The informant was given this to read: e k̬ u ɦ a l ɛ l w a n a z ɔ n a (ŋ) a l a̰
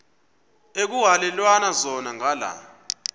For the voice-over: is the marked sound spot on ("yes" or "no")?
yes